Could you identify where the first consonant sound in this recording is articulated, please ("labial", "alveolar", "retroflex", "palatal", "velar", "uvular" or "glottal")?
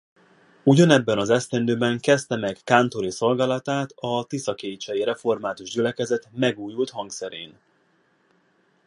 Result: palatal